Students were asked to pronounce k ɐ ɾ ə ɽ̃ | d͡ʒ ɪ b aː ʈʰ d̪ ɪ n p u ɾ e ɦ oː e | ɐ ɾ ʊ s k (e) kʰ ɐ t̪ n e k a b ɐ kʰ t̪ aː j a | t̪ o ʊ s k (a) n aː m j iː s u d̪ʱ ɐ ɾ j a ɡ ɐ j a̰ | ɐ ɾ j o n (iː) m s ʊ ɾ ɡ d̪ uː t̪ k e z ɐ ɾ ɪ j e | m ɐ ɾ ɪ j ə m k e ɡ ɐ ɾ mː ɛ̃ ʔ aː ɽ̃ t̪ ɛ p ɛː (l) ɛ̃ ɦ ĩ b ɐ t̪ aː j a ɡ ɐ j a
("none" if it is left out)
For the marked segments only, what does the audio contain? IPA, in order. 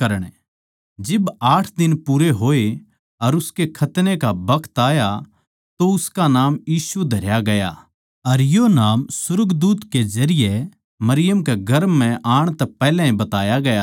e, a, aː, l

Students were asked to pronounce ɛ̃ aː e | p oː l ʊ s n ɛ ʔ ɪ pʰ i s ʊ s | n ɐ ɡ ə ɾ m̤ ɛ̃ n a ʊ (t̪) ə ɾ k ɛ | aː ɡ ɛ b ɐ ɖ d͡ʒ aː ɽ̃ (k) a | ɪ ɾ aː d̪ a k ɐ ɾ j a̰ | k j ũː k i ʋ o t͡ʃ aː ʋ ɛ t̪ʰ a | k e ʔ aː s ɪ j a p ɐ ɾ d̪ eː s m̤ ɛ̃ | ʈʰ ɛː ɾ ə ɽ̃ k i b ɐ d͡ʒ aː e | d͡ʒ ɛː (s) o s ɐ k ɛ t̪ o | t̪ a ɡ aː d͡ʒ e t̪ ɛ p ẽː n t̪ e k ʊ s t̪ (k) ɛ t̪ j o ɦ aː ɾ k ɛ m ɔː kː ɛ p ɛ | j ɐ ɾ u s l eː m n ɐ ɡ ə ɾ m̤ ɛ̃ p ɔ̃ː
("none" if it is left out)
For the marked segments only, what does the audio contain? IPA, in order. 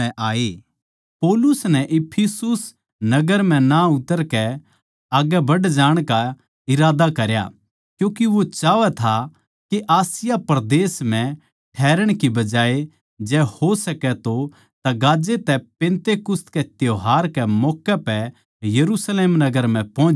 t̪, k, h, k

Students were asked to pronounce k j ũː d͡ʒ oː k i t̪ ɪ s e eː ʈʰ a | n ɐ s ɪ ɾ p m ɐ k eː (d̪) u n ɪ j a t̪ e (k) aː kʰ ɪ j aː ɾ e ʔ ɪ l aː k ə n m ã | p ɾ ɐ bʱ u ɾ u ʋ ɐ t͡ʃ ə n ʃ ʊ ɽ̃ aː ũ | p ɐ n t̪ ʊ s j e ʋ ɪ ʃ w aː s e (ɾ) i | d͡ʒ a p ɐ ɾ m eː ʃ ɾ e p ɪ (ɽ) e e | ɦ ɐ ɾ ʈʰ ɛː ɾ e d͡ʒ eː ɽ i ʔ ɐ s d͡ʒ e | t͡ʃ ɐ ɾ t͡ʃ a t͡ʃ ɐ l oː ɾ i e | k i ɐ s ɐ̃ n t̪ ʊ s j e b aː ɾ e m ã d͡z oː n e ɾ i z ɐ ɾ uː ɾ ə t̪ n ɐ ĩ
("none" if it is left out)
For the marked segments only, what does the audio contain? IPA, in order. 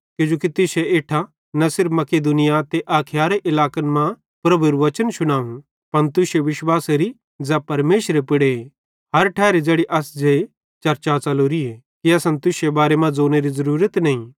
d̪, ʔ, ɾ, ɽ

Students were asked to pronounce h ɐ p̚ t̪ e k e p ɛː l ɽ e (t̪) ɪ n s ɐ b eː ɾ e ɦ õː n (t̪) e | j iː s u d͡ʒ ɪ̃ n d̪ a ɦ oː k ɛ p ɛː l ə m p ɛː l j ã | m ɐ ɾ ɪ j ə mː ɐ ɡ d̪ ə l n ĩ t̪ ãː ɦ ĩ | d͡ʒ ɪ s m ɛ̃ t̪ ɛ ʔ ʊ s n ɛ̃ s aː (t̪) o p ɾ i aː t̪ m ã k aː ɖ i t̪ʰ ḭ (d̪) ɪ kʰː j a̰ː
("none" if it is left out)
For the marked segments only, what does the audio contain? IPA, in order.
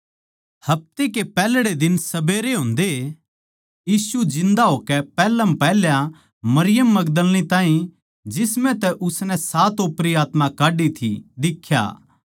d̪, d̪, t̪, d̪

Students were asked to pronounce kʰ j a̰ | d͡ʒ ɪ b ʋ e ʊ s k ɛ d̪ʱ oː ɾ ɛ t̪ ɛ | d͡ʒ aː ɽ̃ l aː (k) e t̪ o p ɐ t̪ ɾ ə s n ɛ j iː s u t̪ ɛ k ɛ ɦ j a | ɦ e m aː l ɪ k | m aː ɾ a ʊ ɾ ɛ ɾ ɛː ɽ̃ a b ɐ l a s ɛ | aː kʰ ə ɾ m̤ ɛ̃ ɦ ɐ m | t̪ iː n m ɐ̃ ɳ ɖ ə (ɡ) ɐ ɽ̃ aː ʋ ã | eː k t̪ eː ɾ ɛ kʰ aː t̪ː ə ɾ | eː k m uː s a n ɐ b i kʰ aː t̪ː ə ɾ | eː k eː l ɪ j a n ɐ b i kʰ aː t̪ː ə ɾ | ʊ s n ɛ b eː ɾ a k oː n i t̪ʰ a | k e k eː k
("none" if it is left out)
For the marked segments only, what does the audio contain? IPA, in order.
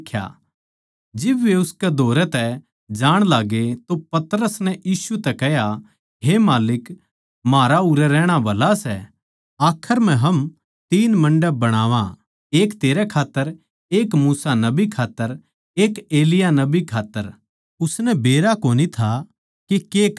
ɡ, b

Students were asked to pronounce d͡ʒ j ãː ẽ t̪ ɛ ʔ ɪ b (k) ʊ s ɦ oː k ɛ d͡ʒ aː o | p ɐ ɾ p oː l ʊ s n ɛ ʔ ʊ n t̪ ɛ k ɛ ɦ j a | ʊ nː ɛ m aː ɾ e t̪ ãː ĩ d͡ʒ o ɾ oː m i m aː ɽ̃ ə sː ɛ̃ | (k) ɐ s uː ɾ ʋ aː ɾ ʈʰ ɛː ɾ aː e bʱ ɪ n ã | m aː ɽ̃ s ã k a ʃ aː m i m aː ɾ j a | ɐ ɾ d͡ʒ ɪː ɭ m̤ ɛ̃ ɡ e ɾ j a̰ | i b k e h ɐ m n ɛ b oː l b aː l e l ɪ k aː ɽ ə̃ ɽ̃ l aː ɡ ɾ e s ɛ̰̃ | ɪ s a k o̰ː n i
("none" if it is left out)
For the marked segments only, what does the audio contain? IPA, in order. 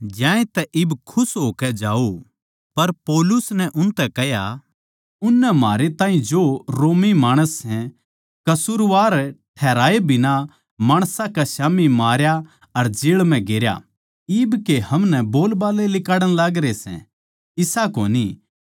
kʰ, k

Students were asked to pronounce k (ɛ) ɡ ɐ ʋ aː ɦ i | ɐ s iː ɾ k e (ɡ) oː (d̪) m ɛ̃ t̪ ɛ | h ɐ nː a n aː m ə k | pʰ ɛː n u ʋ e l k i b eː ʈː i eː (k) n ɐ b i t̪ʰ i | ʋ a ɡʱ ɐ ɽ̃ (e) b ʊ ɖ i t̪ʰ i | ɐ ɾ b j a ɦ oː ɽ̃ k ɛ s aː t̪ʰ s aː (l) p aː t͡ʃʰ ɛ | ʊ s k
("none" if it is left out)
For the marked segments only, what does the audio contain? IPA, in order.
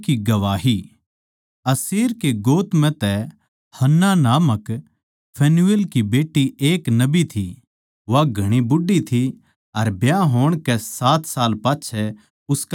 i, ɡ, t̪, k, i, l

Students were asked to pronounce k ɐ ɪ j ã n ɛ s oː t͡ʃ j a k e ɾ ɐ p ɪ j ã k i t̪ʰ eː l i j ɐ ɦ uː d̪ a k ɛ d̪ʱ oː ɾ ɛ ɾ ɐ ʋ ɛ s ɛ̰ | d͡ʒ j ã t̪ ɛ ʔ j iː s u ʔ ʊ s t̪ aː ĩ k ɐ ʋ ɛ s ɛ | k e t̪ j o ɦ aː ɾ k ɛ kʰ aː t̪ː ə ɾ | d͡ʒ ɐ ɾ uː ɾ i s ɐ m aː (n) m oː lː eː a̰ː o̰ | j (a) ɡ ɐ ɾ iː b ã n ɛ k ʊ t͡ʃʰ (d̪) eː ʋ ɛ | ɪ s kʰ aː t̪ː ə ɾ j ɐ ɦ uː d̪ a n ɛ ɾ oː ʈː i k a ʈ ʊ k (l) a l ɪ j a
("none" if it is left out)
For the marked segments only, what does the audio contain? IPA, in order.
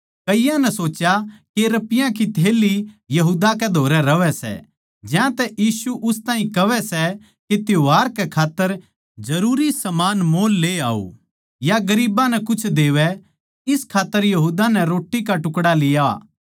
n, a, d̪, ɽ

